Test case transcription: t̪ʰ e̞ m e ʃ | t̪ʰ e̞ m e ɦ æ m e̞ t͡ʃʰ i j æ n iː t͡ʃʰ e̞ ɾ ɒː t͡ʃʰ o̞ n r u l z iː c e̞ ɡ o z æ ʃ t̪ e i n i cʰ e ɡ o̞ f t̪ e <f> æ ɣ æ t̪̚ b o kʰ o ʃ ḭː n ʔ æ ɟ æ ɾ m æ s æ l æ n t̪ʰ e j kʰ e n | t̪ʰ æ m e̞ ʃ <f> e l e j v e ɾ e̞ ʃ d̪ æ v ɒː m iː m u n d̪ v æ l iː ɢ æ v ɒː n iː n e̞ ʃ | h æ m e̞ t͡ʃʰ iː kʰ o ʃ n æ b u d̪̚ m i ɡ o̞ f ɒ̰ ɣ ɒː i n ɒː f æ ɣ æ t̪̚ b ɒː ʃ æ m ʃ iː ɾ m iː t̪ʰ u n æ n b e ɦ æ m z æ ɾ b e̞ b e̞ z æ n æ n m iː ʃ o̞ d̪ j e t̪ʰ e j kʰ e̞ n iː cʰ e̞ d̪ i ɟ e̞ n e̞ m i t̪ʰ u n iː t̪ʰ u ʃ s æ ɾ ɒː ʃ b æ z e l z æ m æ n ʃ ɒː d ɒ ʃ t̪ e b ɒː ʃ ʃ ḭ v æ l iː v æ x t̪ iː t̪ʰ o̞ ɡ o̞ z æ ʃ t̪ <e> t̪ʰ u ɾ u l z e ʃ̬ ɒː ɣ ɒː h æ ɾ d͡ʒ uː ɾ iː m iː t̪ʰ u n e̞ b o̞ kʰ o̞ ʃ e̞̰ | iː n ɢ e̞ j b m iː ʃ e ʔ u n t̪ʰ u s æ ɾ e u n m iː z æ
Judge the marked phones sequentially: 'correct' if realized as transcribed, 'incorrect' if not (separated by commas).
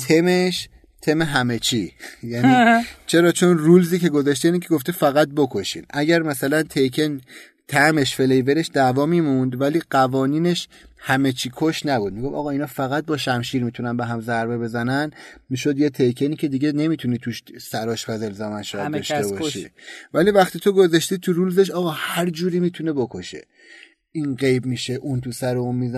correct, correct, incorrect